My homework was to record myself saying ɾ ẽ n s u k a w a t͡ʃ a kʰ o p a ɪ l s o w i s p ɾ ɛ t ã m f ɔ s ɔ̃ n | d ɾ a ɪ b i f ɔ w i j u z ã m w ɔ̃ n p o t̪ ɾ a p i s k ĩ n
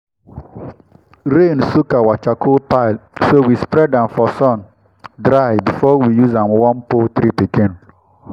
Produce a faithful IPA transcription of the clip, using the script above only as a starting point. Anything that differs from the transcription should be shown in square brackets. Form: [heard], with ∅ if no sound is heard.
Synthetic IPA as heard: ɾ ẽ n s u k a w a t͡ʃ a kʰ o p a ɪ l s o w i s p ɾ ɛ [d] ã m f ɔ s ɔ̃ n | d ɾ a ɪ b i f ɔ w i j u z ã m w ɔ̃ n p o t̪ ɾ [i] p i [∅] k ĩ n